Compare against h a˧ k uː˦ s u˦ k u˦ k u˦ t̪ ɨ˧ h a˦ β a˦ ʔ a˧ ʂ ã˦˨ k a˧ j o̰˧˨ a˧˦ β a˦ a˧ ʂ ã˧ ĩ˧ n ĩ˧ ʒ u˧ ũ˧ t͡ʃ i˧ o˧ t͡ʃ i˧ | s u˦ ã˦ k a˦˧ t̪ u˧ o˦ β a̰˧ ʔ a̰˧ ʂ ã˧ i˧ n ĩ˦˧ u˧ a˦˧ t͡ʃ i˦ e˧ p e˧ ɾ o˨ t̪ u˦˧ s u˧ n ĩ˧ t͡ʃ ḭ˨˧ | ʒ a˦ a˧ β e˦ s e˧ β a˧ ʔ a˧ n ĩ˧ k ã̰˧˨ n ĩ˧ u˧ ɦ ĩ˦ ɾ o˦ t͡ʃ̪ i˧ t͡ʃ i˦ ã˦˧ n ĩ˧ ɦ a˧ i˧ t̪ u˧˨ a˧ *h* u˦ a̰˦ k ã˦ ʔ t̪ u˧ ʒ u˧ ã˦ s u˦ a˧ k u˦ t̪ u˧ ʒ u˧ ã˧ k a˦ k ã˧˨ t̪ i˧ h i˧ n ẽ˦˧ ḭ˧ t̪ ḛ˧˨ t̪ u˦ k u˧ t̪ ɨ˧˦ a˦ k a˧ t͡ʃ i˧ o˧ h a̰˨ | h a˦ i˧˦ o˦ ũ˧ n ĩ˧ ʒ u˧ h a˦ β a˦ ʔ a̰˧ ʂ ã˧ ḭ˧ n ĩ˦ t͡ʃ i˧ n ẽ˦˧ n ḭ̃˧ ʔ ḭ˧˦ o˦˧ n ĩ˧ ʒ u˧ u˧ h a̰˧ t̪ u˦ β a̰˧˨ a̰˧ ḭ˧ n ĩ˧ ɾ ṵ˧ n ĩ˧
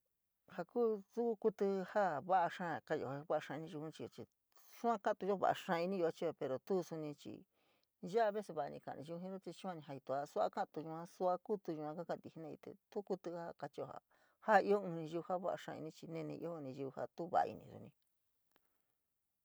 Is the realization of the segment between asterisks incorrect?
yes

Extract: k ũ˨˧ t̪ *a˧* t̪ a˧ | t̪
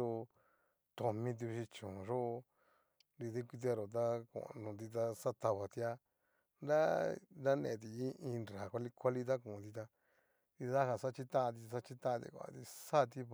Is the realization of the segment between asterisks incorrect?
yes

